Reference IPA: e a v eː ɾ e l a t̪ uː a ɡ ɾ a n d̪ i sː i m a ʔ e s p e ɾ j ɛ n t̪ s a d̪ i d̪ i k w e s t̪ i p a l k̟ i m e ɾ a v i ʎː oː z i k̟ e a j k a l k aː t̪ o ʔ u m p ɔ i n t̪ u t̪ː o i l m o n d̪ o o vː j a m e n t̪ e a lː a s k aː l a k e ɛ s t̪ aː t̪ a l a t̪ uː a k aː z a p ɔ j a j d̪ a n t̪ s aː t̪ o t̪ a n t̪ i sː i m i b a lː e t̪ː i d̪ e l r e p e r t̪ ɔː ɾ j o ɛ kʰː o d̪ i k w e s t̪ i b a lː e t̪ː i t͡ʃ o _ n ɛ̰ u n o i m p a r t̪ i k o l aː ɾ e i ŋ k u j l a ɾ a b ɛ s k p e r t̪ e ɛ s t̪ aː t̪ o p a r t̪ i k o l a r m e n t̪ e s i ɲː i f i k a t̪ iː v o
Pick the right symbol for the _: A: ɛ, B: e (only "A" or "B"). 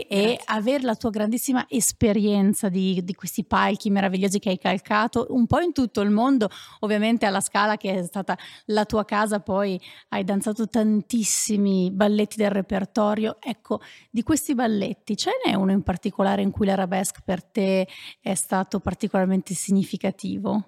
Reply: A